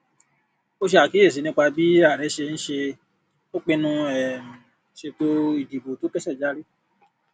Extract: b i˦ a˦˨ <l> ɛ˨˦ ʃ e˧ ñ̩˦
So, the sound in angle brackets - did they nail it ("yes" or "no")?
no